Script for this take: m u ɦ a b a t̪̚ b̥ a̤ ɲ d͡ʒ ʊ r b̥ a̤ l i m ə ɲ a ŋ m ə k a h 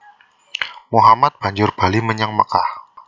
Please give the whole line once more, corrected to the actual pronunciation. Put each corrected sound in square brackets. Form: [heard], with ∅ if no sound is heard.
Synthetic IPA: m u ɦ a [m] a t̪̚ b̥ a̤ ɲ d͡ʒ ʊ r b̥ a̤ l i m ə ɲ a ŋ m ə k a h